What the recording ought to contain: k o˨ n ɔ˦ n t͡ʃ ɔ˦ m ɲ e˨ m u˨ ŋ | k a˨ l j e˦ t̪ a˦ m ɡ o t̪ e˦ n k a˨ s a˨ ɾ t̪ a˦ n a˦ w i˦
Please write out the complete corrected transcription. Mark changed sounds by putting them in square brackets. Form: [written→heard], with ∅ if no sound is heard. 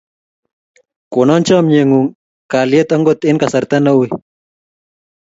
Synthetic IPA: k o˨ n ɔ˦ n t͡ʃ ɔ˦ m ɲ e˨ [m→ŋ] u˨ ŋ | k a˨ l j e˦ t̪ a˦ [m→ŋ] ɡ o t̪ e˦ n k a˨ s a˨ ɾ t̪ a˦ n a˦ w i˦

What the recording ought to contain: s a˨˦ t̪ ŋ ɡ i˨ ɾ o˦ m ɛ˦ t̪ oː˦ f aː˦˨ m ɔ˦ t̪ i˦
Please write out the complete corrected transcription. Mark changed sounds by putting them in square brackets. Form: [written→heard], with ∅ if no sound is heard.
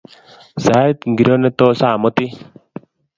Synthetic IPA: s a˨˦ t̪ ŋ ɡ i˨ ɾ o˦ [m→n] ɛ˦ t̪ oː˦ [f→s] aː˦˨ m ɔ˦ t̪ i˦

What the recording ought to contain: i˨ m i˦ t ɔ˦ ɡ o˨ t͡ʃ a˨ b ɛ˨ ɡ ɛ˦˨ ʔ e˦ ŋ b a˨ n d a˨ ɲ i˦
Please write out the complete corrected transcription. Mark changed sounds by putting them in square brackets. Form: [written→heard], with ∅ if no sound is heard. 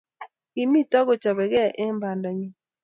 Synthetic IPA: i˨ m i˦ t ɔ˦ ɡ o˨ t͡ʃ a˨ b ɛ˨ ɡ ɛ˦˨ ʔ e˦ [ŋ→m] b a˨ n d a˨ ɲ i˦

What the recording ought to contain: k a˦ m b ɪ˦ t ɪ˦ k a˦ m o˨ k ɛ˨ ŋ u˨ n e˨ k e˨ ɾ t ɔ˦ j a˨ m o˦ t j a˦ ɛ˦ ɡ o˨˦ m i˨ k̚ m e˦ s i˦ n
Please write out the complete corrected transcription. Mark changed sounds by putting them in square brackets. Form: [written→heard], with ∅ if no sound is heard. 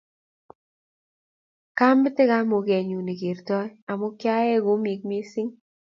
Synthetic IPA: k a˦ m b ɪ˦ t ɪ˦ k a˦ m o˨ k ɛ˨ [ŋ→ɲ] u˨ n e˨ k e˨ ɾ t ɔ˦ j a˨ m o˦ [t→k] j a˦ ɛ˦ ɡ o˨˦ m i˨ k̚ m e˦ s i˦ [n→ŋ]

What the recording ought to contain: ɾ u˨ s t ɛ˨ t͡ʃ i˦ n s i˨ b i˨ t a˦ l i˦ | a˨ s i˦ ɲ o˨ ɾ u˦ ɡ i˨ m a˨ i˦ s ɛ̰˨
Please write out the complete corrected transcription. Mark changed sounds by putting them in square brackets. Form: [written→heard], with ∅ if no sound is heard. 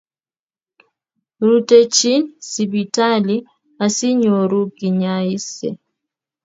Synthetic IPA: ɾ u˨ [s→∅] t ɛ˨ t͡ʃ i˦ n s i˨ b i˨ t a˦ l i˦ | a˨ s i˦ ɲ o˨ ɾ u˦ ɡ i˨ [m→ɲ] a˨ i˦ s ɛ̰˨

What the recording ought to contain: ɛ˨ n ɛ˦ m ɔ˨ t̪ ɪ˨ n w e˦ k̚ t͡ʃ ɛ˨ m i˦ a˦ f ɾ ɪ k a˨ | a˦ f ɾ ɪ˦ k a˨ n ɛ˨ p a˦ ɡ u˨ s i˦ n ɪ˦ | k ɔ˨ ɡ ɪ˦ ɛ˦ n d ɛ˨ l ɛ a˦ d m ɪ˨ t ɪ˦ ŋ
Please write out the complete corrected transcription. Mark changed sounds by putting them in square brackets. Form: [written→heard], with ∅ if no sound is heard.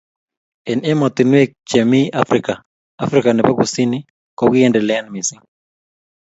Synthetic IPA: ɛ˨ n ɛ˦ m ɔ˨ t̪ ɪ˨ n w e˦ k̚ t͡ʃ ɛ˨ m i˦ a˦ f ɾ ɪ k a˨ | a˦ f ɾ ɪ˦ k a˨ n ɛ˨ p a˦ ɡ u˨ s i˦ n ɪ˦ | k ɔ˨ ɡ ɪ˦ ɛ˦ n d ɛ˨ l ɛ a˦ [d→n] m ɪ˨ [t→s] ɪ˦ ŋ

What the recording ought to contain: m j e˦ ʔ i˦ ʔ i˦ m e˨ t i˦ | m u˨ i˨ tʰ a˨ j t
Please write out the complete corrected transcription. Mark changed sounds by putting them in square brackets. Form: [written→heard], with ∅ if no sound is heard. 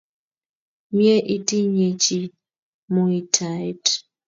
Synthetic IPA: m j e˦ ʔ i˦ [ʔ→t] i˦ [m→ɲ] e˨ [t→t͡ʃ] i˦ | m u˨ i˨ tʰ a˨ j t

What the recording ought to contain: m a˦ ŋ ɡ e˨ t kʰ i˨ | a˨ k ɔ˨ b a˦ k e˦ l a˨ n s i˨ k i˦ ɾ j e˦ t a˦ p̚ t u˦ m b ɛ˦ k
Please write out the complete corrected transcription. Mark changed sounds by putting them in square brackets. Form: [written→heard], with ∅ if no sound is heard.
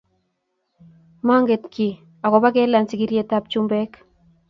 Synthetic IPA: m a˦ ŋ ɡ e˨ t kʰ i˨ | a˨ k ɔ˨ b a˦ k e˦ l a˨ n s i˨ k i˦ ɾ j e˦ t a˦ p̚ [t→t͡ʃ] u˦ m b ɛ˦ k

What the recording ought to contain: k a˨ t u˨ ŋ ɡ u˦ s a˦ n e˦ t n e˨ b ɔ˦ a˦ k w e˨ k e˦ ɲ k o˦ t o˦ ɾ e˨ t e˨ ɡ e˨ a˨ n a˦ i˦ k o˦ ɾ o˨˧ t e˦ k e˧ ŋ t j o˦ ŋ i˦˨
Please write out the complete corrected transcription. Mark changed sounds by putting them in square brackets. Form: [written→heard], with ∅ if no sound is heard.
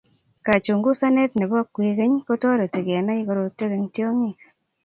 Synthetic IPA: k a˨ [t→t͡ʃ] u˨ ŋ ɡ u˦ s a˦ n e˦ t n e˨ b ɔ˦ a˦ k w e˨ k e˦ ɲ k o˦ t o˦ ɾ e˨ t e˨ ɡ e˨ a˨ n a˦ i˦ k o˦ ɾ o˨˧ t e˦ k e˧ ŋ t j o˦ ŋ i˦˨

